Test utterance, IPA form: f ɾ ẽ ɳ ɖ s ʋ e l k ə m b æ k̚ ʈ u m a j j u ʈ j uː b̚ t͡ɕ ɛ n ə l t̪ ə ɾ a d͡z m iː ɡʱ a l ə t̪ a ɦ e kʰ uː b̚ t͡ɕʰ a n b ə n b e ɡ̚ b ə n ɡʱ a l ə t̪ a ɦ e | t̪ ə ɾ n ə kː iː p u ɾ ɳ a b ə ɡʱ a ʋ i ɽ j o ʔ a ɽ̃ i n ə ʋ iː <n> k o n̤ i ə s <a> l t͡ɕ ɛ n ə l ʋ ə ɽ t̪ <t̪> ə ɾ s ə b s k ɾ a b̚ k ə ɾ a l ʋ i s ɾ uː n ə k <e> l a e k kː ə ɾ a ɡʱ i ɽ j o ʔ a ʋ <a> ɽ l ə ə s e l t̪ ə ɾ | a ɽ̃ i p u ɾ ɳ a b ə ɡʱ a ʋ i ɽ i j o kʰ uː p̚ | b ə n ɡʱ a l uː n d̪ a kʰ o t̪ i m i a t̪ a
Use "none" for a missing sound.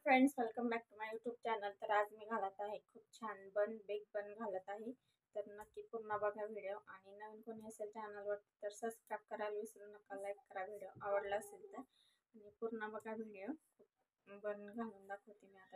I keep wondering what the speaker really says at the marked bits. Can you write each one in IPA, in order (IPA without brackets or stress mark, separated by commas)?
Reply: n, e, t̪, a, ə